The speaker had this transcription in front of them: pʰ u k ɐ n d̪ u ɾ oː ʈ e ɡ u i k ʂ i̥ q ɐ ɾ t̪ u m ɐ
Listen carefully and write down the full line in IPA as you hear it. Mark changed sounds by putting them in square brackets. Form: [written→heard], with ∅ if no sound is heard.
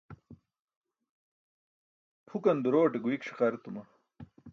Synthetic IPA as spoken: pʰ u k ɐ n d̪ u ɾ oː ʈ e ɡ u i k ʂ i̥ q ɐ ɾ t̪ u m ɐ